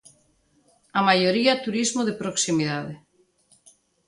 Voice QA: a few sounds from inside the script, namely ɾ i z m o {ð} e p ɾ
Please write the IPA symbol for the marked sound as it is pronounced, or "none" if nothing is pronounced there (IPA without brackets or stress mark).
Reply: ð